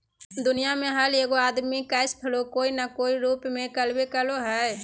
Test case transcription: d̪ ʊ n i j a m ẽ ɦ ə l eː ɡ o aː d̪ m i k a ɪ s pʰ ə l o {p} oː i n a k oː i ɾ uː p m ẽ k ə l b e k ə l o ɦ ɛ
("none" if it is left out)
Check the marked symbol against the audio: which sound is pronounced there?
k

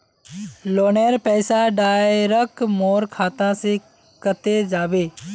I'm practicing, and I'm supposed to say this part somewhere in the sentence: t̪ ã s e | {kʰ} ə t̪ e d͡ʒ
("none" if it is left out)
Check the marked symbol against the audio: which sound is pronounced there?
k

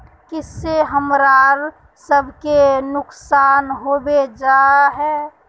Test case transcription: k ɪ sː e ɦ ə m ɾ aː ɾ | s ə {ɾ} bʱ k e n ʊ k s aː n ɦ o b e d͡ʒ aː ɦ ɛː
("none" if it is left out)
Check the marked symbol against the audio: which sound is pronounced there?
none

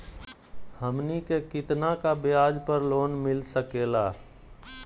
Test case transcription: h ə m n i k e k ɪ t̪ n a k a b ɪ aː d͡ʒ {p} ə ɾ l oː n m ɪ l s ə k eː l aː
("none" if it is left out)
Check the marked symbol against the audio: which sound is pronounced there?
p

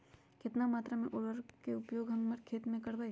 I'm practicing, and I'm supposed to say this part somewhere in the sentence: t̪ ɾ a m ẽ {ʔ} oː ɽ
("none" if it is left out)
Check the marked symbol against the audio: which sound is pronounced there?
ʔ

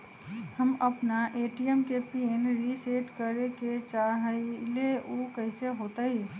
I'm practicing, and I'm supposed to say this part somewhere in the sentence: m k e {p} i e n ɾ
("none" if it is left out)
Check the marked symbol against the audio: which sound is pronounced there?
p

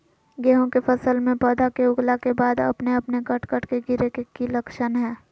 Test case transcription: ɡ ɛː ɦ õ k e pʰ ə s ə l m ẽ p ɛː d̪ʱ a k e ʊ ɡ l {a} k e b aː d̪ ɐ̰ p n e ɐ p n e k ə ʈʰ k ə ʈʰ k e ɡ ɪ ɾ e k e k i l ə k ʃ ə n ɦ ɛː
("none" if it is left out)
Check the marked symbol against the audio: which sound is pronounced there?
a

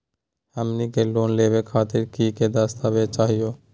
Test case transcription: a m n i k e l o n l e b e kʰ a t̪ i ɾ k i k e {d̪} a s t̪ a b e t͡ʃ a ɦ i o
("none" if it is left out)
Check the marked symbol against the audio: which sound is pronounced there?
d̪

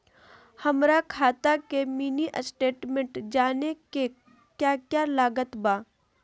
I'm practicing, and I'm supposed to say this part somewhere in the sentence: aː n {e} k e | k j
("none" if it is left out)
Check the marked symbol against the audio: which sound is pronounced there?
e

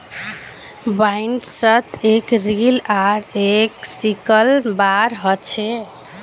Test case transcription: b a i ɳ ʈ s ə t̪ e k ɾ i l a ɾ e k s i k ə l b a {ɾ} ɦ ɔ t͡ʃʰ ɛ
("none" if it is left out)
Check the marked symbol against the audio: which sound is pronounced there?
ɾ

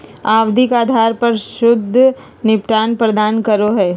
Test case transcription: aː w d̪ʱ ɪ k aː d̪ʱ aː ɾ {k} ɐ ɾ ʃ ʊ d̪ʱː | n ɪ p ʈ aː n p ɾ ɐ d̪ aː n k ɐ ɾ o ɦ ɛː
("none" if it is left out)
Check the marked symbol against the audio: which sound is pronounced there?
p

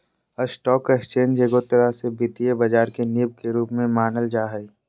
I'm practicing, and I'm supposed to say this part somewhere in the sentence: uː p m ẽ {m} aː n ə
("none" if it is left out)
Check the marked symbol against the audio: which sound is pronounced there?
m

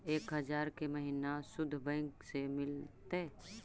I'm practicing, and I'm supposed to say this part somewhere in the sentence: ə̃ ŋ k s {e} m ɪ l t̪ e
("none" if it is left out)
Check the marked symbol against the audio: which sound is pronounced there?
e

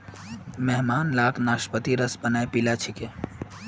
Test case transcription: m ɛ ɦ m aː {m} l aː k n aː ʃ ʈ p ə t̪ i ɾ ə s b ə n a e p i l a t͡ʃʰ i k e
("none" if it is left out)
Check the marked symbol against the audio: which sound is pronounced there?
n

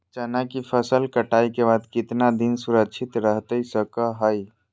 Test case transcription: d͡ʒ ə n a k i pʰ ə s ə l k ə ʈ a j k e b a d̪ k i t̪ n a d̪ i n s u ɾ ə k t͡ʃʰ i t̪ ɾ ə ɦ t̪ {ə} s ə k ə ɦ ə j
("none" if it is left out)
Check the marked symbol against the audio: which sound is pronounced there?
ə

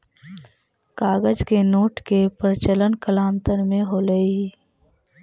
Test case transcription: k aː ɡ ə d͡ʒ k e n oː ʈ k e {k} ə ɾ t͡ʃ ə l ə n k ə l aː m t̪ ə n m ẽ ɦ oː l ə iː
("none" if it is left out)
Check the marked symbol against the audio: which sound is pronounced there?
p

